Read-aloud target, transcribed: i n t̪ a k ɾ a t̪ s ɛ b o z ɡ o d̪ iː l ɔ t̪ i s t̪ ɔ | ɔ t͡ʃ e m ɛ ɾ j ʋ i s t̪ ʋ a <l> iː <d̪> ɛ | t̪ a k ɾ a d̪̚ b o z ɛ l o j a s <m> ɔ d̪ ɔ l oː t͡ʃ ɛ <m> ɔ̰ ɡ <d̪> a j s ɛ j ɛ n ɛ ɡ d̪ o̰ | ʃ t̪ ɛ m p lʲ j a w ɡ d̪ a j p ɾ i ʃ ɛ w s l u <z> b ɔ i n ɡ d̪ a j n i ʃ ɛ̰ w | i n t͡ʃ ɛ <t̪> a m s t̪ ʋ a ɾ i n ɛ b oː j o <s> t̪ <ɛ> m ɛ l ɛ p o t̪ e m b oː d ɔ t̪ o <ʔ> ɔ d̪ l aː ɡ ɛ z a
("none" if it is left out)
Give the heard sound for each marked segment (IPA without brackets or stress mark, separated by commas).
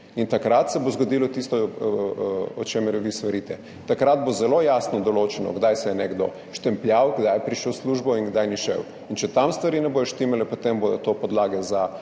ɾ, t̪, n, n, d̪, ʒ, t̪, ʃ, i, p